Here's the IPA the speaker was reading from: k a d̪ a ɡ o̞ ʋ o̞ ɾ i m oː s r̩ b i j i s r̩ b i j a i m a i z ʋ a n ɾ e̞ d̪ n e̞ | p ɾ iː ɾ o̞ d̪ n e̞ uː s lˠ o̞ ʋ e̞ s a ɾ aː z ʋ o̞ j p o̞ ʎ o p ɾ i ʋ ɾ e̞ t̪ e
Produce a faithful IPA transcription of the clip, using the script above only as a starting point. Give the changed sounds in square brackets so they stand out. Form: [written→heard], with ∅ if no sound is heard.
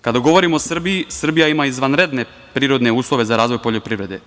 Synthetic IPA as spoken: k a d̪ a ɡ o̞ ʋ o̞ ɾ i m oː s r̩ b i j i s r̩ b i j a i m a i z ʋ a n ɾ e̞ d̪ n e̞ | p ɾ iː ɾ o̞ d̪ n e̞ uː s lˠ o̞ ʋ e̞ [s→z] a ɾ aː z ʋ o̞ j p o̞ ʎ o p ɾ i ʋ ɾ e̞ [t̪→d̪] e